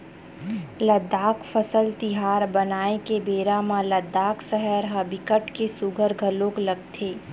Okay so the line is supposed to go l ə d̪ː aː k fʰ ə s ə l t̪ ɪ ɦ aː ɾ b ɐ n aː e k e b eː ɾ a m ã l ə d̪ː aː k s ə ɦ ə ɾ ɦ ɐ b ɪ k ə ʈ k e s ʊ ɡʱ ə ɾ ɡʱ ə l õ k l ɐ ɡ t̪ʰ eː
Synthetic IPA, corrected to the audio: l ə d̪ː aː k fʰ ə s ə l t̪ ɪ ɦ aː ɾ b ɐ n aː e k e b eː ɾ a m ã l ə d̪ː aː k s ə ɦ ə ɾ ɦ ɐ b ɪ k ə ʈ k e s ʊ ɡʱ ə ɾ ɡʱ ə l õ k l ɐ ɡ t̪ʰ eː